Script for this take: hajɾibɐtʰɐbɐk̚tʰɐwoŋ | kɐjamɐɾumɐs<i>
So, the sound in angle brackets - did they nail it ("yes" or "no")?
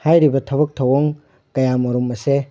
no